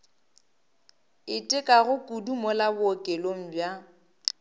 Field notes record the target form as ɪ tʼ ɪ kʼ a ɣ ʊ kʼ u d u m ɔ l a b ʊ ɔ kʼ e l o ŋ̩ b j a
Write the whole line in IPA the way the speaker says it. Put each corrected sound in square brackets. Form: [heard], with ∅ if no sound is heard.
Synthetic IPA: ɪ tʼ ɪ kʼ a ɣ ʊ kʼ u d u m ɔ l a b ʊ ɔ kʼ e l o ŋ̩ b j a